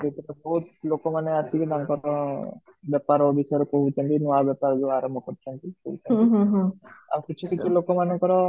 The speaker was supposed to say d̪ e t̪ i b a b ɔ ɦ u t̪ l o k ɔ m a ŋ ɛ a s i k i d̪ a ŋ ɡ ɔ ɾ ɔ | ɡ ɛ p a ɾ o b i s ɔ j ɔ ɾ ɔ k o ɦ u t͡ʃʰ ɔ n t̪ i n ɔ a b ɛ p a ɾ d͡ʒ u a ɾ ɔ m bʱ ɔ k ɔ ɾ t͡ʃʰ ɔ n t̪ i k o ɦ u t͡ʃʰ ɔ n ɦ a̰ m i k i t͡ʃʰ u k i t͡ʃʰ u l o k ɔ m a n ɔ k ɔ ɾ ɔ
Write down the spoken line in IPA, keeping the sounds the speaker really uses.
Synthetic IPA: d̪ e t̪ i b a b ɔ ɦ u t̪ l o k ɔ m a n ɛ a s i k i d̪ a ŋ k ɔ ɾ ɔ | b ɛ p a ɾ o b i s ɔ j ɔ ɾ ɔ k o ɦ u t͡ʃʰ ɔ n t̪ i n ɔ a b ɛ p a ɾ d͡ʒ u a ɾ ɔ m bʱ ɔ k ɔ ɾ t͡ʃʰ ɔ n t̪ i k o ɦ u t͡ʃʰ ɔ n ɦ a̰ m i k i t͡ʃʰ u k i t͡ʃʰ u l o k ɔ m a n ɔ k ɔ ɾ ɔ